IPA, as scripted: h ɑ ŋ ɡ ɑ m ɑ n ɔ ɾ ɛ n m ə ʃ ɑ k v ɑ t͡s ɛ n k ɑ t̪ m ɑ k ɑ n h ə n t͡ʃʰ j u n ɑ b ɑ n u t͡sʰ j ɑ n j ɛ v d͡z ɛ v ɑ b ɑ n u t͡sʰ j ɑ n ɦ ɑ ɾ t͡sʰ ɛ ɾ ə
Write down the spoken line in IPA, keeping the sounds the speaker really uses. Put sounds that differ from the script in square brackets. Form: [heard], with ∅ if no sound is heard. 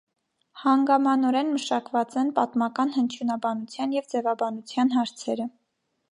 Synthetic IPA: h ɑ ŋ ɡ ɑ m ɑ n ɔ ɾ ɛ n m ə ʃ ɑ k v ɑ t͡s ɛ n [p] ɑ t̪ m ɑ k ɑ n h ə n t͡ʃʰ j u n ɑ b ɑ n u t͡sʰ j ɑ n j ɛ v d͡z ɛ v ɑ b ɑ n u t͡sʰ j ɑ n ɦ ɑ ɾ t͡sʰ ɛ ɾ ə

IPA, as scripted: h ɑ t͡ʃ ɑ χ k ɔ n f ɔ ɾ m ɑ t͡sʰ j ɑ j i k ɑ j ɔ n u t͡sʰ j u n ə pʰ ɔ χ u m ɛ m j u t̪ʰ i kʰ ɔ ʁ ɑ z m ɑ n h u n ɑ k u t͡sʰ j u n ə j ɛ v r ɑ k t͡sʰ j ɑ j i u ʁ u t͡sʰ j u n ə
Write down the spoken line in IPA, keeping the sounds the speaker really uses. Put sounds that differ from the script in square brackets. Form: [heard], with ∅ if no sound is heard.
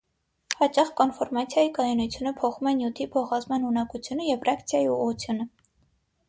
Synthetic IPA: h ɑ t͡ʃ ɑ χ k ɔ n f ɔ ɾ m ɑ t͡sʰ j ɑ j i k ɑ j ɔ n u t͡sʰ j u n ə pʰ ɔ χ u m ɛ [n] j u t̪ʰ i [pʰ] ɔ [χ] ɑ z m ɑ n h u n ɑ k u t͡sʰ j u n ə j ɛ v r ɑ k t͡sʰ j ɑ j i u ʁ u t͡sʰ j u n ə

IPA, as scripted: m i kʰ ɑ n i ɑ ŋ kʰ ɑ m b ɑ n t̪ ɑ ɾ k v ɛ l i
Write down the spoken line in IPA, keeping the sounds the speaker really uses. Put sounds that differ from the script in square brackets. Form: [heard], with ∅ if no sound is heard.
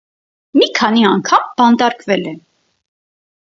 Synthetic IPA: m i kʰ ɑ n i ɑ ŋ kʰ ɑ m b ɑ n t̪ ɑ ɾ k v ɛ l [ɛ]

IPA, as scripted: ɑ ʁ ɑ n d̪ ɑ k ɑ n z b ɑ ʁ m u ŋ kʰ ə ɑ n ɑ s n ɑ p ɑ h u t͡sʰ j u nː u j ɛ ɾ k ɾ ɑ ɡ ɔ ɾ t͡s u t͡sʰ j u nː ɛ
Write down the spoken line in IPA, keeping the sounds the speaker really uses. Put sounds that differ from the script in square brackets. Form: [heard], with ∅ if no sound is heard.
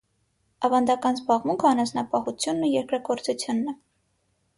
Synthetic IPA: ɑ [v] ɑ n d̪ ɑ k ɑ n z b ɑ ʁ m u ŋ kʰ ə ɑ n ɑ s n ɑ p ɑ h u t͡sʰ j u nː u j ɛ ɾ k ɾ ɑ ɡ ɔ ɾ t͡s u t͡sʰ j u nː ɛ

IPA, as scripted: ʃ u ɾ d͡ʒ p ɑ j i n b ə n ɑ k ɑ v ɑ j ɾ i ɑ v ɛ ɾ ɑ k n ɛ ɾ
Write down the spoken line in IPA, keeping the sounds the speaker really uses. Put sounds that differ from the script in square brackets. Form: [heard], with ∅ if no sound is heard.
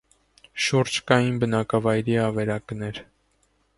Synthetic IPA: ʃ u ɾ d͡ʒ [k] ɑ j i n b ə n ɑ k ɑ v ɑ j ɾ i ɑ v ɛ ɾ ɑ k n ɛ ɾ

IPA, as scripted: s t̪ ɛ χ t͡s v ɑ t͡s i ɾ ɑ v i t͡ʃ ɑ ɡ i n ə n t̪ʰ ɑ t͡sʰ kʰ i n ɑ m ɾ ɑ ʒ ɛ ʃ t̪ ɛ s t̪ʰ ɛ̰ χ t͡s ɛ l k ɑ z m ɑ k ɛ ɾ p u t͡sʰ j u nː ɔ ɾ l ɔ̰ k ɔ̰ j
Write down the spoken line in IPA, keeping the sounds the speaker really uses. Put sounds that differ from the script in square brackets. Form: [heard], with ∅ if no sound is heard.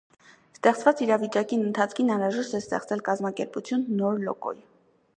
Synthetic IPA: s t̪ ɛ χ t͡s v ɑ t͡s i ɾ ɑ v i t͡ʃ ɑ [k] i n ə n t̪ʰ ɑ t͡sʰ kʰ i n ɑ [n] ɾ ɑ ʒ ɛ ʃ t̪ ɛ s [t̪] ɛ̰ χ t͡s ɛ l k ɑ z m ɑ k ɛ ɾ p u t͡sʰ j u nː ɔ ɾ l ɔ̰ k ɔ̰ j

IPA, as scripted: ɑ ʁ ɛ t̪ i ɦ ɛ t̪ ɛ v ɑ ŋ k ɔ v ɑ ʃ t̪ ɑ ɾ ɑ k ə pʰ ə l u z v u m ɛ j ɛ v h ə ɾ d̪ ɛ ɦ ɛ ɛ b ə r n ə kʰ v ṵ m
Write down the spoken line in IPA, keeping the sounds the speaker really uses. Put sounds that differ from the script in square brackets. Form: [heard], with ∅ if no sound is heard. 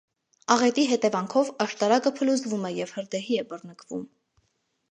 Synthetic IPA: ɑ ʁ ɛ t̪ i ɦ ɛ t̪ ɛ v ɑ ŋ [kʰ] ɔ v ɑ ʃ t̪ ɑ ɾ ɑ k ə pʰ ə l u z v u m ɛ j ɛ v h ə ɾ d̪ ɛ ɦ [i] ɛ b ə r n ə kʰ v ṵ m

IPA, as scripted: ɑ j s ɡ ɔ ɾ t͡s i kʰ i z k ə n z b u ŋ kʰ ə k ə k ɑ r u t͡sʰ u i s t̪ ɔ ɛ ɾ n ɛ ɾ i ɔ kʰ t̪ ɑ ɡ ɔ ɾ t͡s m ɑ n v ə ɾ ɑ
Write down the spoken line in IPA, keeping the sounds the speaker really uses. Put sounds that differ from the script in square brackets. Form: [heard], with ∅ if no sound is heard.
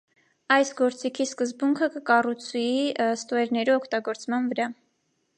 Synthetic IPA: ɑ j s ɡ ɔ ɾ t͡s i kʰ i [s] k ə [∅] z b u ŋ kʰ ə k ə k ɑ r u t͡sʰ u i s t̪ ɔ ɛ ɾ n ɛ ɾ i ɔ kʰ t̪ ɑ ɡ ɔ ɾ t͡s m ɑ n v ə ɾ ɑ

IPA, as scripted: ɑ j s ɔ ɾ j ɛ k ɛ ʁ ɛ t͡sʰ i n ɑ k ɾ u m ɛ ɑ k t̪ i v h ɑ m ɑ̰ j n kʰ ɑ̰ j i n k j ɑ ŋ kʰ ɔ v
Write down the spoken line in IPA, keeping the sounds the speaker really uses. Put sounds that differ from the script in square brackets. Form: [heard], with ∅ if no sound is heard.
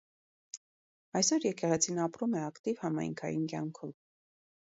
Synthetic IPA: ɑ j s ɔ ɾ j ɛ k ɛ ʁ ɛ t͡sʰ i n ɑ [p] ɾ u m ɛ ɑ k t̪ i v h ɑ m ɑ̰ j [ŋ] kʰ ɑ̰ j i n k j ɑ ŋ kʰ ɔ v

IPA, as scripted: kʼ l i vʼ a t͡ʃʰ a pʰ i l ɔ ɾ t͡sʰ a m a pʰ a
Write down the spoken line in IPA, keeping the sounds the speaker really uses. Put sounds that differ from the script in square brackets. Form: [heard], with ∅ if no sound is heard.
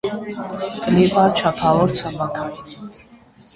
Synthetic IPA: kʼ l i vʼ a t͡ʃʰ a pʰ [a] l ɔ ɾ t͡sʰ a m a [kʰ] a

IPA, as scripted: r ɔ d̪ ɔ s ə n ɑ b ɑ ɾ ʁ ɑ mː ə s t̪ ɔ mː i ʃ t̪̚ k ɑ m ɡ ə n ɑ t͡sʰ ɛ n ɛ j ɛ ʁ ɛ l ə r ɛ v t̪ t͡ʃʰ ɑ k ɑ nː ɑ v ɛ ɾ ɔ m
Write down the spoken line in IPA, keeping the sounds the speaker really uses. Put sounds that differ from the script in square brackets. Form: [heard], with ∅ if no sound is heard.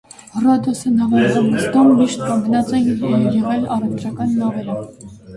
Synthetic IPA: r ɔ d̪ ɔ s ə n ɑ [v] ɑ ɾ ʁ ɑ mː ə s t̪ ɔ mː i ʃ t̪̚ k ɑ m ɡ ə n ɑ [t͡s] ɛ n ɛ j ɛ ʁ ɛ l [ɑ] r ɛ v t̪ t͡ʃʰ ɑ k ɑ nː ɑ v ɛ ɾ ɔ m

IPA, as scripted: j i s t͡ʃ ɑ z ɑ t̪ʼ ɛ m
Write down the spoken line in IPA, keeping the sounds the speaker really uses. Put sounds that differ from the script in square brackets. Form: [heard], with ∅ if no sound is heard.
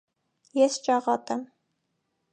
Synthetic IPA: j [ɛ] s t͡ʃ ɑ [ʁ] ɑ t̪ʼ ɛ m

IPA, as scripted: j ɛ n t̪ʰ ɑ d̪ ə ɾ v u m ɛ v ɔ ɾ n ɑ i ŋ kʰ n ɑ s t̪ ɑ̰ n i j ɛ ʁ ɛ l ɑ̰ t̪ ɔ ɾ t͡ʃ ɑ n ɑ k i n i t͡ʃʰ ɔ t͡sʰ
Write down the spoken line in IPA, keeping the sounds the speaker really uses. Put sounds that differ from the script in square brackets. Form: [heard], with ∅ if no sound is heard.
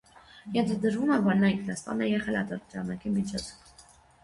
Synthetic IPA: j ɛ n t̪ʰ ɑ d̪ ə ɾ v u m ɛ v ɔ ɾ n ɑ i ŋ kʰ n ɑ s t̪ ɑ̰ n [ɛ] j ɛ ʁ ɛ l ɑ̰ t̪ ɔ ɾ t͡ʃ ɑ n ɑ k i [m] i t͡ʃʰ ɔ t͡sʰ

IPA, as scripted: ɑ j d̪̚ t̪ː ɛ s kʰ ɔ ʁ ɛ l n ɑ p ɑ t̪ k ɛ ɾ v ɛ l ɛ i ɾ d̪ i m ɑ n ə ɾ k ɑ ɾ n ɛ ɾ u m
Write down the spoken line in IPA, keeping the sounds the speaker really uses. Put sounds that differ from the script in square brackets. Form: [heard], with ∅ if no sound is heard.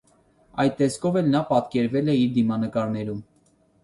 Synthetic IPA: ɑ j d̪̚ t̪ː ɛ s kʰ ɔ [v] ɛ l n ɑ p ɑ t̪ k ɛ ɾ v ɛ l ɛ i ɾ d̪ i m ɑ n ə [∅] k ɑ ɾ n ɛ ɾ u m

